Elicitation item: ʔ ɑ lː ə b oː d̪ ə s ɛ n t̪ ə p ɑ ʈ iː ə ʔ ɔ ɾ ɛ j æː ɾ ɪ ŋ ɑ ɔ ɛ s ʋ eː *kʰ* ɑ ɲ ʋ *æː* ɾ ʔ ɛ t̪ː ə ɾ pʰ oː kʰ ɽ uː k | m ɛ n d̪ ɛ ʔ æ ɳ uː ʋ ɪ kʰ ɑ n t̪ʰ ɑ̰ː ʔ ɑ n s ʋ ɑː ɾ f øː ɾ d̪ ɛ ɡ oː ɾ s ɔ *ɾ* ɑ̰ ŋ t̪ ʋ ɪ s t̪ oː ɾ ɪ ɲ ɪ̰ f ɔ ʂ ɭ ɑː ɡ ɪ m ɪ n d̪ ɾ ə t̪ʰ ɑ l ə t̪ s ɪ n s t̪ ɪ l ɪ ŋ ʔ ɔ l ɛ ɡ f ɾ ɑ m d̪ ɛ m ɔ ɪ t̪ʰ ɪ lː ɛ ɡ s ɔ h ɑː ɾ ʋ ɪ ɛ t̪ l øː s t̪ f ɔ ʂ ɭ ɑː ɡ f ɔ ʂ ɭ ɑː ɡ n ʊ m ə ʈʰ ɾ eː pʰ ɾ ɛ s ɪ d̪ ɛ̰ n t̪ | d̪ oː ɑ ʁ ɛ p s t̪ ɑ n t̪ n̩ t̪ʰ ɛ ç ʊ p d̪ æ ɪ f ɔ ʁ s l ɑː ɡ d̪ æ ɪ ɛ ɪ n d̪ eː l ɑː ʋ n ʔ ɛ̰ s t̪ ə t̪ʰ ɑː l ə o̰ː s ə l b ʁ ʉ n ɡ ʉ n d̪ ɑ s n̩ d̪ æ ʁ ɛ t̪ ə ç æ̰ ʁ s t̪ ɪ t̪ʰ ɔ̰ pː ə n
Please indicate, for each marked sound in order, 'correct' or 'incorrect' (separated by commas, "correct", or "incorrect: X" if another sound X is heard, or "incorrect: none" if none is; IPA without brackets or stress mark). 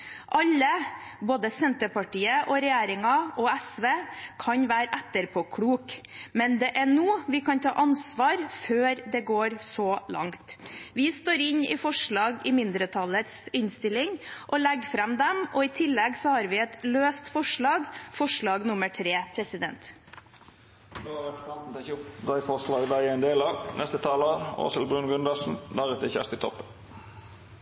correct, correct, incorrect: l